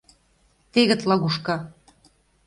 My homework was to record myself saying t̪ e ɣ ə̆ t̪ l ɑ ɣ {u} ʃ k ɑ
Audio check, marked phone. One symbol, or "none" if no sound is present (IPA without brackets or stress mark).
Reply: u